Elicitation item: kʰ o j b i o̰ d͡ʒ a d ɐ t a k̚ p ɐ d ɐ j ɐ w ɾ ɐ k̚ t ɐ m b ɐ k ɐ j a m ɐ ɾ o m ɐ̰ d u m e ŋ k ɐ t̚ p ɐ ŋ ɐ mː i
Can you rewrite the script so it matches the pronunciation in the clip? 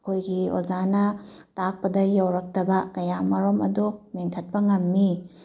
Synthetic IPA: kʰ o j ɡ i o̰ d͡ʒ a n ɐ t a k̚ p ɐ d ɐ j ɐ w ɾ ɐ k̚ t ɐ b ɐ k ɐ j a m ɐ ɾ o m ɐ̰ d u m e ŋ kʰ ɐ t̚ p ɐ ŋ ɐ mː i